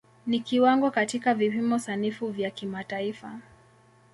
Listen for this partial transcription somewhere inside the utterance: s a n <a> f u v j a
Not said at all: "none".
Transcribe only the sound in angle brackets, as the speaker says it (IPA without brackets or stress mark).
i